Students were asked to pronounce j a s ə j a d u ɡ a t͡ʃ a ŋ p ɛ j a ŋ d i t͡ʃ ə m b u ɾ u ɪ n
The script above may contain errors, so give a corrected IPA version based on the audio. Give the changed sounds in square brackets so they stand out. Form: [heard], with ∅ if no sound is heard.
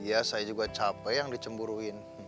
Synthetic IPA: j a s [a] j a [d͡ʒ] u ɡ a t͡ʃ a [∅] p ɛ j a ŋ d i t͡ʃ ə m b u ɾ u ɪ n